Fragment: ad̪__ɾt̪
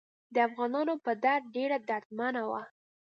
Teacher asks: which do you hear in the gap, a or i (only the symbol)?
a